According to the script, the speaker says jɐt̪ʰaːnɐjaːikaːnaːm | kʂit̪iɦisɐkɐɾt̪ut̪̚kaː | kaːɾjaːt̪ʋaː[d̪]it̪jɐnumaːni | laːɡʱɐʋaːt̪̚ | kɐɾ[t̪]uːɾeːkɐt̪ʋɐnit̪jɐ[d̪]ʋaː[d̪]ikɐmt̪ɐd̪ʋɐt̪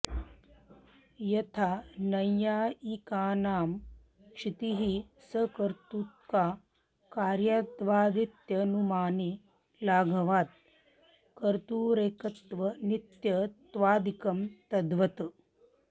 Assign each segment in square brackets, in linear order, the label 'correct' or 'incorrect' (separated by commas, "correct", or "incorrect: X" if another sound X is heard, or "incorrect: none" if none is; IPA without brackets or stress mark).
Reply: correct, correct, incorrect: t̪, correct